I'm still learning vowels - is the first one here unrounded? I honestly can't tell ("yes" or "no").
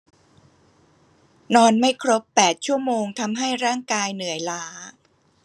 no